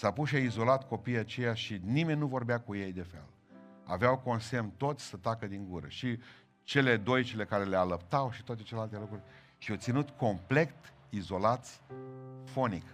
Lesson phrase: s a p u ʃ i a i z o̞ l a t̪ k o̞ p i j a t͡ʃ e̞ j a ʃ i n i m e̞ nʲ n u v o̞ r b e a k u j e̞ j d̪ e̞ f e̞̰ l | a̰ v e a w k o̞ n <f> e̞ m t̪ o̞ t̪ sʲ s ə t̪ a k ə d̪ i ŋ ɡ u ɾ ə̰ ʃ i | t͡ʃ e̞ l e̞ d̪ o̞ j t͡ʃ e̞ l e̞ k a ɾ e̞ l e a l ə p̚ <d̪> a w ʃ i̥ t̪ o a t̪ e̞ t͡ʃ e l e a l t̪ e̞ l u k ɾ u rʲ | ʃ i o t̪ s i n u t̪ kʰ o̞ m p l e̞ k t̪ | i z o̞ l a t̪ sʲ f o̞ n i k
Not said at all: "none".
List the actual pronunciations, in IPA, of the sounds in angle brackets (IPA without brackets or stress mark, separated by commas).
s, t̪